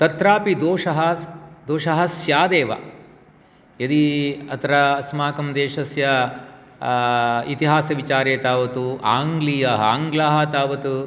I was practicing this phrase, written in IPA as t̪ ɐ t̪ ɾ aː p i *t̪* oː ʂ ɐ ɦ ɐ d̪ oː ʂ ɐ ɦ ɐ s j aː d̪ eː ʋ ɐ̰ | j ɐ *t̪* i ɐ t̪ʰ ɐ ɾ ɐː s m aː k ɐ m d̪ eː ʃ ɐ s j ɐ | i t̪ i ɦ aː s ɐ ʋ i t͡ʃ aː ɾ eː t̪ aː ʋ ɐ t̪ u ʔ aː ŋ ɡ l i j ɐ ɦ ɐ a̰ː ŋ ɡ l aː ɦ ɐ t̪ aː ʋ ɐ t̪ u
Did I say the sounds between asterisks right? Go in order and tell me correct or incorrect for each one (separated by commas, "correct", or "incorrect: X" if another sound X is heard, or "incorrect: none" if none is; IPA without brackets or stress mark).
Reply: incorrect: d̪, incorrect: d̪